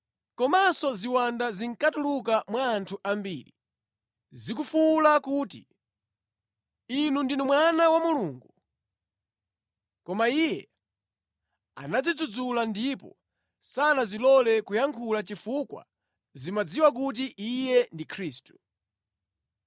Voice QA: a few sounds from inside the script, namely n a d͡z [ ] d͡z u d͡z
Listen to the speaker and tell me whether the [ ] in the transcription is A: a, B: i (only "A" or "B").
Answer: B